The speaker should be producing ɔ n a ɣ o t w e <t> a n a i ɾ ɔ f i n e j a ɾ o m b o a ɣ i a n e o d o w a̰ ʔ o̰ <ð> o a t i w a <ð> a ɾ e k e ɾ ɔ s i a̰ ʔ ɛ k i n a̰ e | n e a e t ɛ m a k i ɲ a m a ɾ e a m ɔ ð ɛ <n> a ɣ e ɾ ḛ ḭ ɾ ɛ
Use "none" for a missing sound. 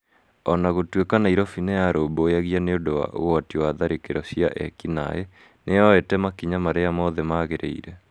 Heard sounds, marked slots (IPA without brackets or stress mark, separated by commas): k, ɣ, ð, m